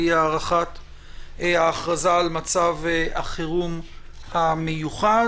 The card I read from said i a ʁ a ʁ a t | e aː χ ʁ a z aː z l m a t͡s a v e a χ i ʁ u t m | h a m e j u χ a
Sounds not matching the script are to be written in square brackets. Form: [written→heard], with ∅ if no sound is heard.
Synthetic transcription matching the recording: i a ʁ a [ʁ→χ] a t | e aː χ ʁ a z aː [z→∅] l m a t͡s a v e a χ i ʁ u [t→∅] m | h a m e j u χ a